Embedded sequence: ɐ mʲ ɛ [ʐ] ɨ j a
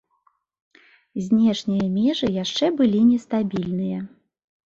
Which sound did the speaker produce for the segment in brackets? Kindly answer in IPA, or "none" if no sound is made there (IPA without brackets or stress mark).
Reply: ʐ